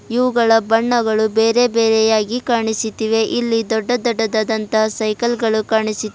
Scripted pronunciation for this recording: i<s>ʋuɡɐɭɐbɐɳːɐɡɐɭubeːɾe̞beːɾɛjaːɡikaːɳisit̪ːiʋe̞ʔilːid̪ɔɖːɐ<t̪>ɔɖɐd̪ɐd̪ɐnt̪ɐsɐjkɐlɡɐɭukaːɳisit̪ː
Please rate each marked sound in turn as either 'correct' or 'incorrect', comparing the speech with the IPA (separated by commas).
incorrect, incorrect